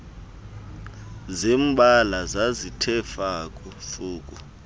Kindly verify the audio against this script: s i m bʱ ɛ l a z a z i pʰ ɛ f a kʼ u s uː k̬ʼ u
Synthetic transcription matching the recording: z i m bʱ a l a z a z i tʰ ɛ f a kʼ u f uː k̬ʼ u